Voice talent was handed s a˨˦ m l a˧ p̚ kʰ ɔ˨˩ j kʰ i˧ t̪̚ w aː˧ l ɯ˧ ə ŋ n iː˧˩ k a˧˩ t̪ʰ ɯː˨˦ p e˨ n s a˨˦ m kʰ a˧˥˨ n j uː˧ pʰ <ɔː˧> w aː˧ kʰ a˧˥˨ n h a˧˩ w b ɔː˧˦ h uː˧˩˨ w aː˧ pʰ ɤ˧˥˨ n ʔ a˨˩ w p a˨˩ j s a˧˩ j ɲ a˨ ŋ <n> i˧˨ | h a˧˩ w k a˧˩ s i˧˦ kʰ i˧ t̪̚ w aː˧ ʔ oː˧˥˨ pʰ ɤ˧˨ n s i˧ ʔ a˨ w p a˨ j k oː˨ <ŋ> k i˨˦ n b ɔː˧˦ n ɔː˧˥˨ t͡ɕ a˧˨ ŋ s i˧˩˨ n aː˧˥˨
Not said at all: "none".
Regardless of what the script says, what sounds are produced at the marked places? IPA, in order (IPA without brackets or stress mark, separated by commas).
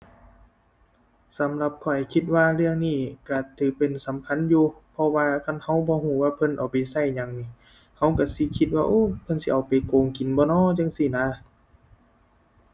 ɔ˧, n, ŋ